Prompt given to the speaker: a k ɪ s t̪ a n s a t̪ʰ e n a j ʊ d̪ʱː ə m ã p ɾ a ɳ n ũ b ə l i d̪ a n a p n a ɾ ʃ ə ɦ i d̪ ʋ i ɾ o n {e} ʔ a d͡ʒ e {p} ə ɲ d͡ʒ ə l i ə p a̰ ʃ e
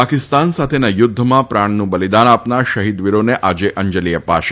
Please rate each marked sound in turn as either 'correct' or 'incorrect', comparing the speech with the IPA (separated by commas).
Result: correct, incorrect